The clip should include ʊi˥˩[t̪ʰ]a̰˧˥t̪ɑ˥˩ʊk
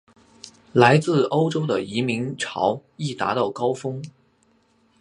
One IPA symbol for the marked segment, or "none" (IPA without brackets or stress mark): t̪